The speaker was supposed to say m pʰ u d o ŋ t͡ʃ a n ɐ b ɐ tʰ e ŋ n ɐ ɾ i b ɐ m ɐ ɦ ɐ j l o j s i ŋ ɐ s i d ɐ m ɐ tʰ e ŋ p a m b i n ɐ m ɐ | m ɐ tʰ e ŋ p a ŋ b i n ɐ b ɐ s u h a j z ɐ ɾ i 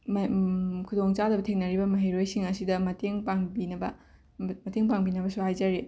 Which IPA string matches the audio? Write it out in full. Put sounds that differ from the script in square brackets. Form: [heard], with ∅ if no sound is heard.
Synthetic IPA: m [kʰ] u d o ŋ t͡ʃ a [d] ɐ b ɐ tʰ e ŋ n ɐ ɾ i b ɐ m ɐ ɦ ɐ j [ɾ] o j s i ŋ ɐ s i d ɐ m ɐ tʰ e ŋ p a [ŋ] b i n ɐ [b] ɐ | m ɐ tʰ e ŋ p a ŋ b i n ɐ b ɐ s u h a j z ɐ ɾ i